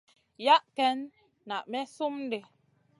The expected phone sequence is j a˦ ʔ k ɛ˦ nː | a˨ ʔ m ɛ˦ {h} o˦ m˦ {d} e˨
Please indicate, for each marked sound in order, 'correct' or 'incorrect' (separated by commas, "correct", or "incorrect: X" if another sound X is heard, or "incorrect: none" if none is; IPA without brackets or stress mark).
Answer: incorrect: s, correct